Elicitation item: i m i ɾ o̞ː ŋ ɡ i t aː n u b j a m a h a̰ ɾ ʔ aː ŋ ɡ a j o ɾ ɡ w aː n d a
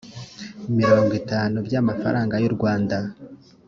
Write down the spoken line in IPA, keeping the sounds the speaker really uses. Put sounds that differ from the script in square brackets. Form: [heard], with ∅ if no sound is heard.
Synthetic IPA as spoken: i m i ɾ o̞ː ŋ ɡ i t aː n u b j a m a [f] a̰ ɾ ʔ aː ŋ ɡ a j [u] ɾ ɡ w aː n d a